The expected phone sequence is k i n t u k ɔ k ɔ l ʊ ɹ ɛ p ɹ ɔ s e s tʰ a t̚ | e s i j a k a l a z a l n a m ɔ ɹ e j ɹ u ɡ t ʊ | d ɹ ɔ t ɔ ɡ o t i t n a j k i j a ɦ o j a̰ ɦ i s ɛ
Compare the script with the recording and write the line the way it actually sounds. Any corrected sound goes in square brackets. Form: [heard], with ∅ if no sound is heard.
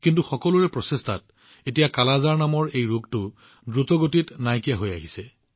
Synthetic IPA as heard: k i n t u [x] ɔ k ɔ l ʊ ɹ ɛ p ɹ ɔ s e s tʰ a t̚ | e [t] i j a k a l a z a [ɹ] n a m ɔ ɹ e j ɹ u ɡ t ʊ | d ɹ [u] t ɔ ɡ o t i t n a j k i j a ɦ o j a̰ ɦ i s ɛ